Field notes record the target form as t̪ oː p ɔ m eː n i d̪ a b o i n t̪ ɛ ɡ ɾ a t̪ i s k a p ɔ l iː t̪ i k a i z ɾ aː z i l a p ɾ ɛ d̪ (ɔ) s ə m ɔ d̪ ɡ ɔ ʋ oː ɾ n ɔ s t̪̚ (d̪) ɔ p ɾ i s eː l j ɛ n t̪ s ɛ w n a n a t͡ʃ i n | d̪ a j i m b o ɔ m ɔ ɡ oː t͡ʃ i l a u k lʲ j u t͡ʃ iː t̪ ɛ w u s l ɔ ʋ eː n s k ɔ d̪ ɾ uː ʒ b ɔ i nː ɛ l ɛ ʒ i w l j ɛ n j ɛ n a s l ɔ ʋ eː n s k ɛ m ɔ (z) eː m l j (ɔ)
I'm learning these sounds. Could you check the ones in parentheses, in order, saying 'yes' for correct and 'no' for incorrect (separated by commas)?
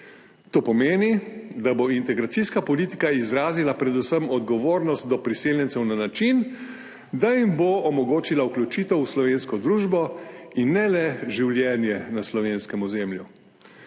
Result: no, yes, yes, no